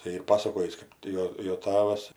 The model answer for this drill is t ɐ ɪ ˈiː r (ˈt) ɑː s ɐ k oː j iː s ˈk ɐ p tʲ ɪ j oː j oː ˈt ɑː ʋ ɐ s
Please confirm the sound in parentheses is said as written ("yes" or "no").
no